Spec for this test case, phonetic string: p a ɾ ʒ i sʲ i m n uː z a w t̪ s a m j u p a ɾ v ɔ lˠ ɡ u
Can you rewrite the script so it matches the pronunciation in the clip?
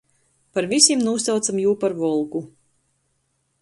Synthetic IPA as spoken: p a ɾ v i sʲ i m n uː s a w t̪ s a m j uː p a ɾ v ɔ lˠ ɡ u